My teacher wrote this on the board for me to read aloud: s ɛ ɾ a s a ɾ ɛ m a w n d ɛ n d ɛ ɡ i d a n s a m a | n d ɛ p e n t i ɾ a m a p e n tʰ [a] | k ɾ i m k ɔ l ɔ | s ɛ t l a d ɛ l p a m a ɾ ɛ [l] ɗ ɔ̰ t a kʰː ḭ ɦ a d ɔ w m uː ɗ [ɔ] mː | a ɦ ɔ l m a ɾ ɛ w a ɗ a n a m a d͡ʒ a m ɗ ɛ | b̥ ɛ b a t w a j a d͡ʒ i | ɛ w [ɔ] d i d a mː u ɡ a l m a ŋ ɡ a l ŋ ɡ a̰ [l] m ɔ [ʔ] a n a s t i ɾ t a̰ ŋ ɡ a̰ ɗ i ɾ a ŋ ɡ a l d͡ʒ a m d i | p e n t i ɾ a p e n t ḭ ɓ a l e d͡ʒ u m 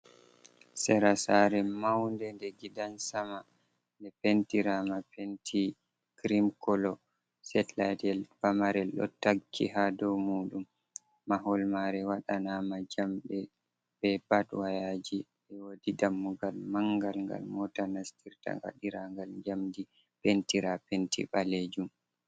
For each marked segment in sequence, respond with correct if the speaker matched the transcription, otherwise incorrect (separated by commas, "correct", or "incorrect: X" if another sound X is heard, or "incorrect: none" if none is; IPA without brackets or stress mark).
incorrect: i, correct, incorrect: u, incorrect: o, correct, incorrect: t